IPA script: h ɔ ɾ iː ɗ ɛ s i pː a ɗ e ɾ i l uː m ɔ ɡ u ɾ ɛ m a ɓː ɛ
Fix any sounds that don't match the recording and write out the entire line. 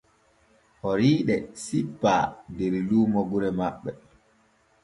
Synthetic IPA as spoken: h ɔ ɾ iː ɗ ɛ s i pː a d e ɾ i l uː m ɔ ɡ u ɾ ɛ m a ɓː ɛ